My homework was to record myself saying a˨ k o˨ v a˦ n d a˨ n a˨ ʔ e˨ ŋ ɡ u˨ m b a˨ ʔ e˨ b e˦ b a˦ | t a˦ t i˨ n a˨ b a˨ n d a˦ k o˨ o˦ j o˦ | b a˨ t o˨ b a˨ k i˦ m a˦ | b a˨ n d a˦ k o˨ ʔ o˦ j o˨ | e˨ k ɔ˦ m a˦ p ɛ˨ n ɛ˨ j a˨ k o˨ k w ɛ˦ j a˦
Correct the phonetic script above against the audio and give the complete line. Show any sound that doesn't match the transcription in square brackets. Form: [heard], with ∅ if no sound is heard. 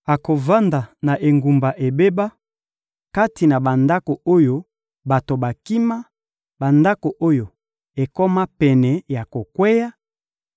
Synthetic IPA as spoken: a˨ k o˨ v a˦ n d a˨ n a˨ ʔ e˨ ŋ ɡ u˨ m b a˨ ʔ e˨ b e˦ b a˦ | [k] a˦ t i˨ n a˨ b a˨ n d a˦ k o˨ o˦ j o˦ | b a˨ t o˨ b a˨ k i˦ m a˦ | b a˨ n d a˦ k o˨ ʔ o˦ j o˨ | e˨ k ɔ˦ m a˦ p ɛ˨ n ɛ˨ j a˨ k o˨ k w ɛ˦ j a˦